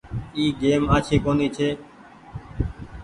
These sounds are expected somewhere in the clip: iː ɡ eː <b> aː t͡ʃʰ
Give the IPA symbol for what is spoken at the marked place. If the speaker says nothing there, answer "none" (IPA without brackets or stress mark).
m